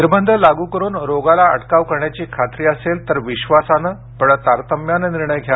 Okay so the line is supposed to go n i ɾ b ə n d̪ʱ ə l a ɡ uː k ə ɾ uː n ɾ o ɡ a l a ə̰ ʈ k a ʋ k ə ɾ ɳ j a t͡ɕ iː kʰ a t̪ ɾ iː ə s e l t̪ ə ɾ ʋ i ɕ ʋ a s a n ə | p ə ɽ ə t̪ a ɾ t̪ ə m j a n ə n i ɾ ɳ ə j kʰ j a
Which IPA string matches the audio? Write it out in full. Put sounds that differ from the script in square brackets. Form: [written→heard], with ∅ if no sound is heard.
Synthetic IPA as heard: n i ɾ b ə n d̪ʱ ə l a ɡ uː k ə ɾ uː n ɾ o ɡ a l a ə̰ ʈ k a ʋ k ə ɾ ɳ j a t͡ɕ iː kʰ a t̪ ɾ iː ə s e l t̪ ə ɾ ʋ i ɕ ʋ a s a n ə | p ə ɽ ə t̪ a ɾ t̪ ə m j a n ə n i ɾ ɳ ə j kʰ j a